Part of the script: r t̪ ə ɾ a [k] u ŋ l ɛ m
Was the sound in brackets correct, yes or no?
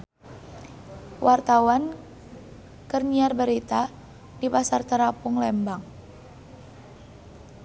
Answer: no